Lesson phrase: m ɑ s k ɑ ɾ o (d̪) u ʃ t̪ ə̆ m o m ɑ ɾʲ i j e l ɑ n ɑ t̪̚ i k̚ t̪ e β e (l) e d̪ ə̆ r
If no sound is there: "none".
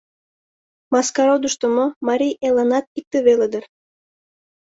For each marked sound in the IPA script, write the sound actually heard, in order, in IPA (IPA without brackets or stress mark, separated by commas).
d̪, l